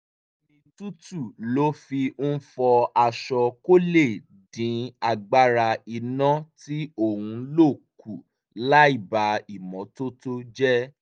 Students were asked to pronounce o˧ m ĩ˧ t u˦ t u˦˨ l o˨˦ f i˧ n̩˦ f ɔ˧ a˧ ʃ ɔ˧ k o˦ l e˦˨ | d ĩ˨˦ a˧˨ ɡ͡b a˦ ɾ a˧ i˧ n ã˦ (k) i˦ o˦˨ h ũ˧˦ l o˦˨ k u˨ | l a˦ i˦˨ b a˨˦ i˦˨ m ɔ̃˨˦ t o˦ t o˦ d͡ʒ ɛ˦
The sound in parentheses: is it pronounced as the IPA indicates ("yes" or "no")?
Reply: no